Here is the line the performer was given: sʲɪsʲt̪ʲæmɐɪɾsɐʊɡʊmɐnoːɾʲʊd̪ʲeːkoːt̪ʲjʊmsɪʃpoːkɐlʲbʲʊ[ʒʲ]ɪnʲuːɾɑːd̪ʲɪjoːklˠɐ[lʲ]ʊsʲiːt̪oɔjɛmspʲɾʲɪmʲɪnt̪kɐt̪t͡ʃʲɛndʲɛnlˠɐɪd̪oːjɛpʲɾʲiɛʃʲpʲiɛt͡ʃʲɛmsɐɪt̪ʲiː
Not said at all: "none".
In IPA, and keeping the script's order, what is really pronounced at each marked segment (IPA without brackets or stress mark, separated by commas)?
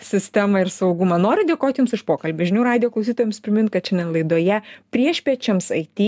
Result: ʒʲ, none